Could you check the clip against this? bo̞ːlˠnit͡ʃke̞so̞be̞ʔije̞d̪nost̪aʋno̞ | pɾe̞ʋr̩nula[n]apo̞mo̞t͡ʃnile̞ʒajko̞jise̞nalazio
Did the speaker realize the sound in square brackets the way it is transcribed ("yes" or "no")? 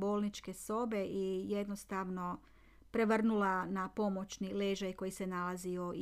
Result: yes